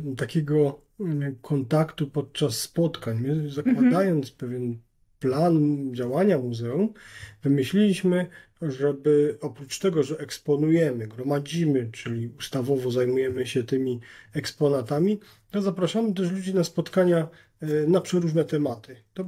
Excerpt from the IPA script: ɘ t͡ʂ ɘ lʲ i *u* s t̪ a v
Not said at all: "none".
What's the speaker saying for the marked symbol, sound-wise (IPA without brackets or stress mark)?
u